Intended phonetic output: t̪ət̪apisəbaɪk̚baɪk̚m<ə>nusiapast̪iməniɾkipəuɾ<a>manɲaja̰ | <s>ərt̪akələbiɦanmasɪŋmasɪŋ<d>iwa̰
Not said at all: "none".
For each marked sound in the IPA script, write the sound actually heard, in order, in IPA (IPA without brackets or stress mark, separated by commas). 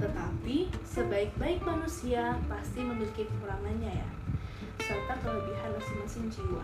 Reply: a, a, s, d͡ʒ